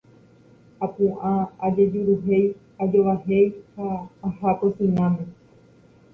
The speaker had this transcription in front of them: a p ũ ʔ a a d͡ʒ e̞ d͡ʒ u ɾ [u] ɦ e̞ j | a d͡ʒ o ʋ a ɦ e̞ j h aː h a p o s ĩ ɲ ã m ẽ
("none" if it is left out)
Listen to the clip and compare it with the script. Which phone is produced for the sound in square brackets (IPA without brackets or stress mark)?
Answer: u